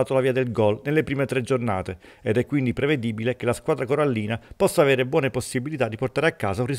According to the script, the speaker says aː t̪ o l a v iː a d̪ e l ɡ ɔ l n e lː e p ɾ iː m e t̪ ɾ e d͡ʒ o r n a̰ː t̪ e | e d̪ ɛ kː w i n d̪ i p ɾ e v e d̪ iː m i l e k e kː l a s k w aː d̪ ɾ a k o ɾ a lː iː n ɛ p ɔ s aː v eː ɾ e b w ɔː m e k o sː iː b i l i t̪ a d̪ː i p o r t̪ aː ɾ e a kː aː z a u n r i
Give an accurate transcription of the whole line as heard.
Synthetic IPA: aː t̪ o l a v iː a d̪ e l ɡ ɔ l n e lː e p ɾ iː m e t̪ ɾ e d͡ʒ o r n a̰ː t̪ e | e d̪ ɛ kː w i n d̪ i p ɾ e v e d̪ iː b i l e k e l a s k w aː d̪ ɾ a k o ɾ a lː iː n a p ɔ sː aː v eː ɾ e b w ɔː n e p o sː i b i l i t̪ a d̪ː i p o r t̪ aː ɾ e a kː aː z a u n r i